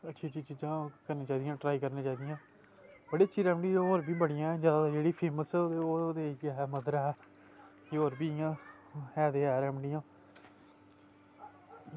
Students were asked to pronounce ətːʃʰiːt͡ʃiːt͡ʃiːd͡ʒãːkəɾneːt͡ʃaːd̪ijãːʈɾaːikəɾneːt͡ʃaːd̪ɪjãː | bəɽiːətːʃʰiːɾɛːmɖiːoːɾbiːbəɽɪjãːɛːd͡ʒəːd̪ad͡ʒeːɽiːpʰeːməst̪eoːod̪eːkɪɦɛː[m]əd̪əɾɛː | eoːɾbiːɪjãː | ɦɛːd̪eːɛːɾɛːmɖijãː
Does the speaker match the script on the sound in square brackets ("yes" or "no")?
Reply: yes